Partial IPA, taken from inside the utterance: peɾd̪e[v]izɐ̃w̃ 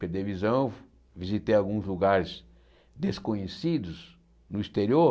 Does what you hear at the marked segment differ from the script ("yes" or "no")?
no